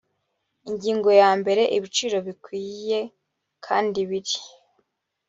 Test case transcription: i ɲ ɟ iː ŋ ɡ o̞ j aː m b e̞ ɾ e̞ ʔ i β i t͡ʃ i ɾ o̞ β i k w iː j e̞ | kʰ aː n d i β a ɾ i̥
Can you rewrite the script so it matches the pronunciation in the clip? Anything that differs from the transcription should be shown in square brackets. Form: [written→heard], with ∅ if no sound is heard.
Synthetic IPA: i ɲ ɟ iː ŋ ɡ o̞ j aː m b e̞ ɾ e̞ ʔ i β i t͡ʃ i ɾ o̞ β i k w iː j e̞ | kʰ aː n d i β [a→i] ɾ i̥